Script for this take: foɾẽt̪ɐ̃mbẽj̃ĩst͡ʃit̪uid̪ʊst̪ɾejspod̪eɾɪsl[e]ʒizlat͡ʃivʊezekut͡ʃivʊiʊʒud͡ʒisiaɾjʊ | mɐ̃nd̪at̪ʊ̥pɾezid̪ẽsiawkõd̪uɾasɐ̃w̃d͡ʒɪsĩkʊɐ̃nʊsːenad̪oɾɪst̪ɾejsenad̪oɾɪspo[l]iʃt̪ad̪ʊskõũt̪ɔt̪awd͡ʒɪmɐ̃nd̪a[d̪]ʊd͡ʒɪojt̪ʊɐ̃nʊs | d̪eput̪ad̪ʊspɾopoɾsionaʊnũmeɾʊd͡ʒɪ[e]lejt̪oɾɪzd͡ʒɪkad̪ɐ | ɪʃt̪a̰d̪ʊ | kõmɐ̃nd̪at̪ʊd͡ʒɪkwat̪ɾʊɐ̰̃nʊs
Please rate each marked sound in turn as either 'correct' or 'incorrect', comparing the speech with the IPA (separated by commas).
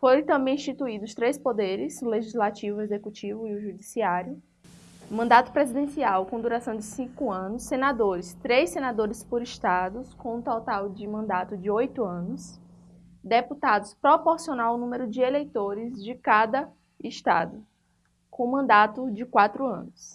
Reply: correct, incorrect, incorrect, correct